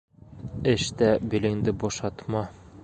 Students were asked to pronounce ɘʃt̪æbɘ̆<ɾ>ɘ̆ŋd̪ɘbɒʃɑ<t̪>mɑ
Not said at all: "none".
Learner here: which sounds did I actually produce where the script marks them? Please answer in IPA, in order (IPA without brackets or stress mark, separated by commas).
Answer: l, t̪